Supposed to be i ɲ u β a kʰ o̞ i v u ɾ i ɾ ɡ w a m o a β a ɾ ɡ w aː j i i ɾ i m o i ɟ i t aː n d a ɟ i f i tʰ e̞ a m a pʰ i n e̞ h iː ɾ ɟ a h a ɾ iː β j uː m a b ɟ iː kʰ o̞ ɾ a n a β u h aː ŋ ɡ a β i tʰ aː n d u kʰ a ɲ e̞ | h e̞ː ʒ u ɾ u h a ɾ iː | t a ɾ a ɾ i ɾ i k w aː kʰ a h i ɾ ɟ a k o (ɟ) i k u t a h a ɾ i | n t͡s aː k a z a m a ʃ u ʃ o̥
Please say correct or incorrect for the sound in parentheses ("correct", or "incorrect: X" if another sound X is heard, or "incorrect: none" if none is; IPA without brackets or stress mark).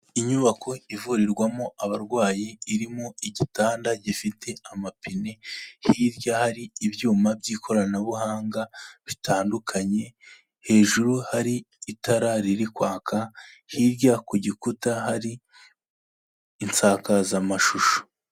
correct